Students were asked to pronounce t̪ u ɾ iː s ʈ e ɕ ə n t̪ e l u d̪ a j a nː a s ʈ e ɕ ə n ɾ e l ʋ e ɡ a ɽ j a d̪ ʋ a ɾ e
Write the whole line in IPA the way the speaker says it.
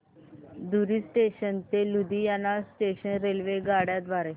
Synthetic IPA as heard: d̪ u ɾ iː s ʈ e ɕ ə n t̪ e l u d̪ i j a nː a s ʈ e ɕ ə n ɾ e l ʋ e ɡ a ɽ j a d̪ ʋ a ɾ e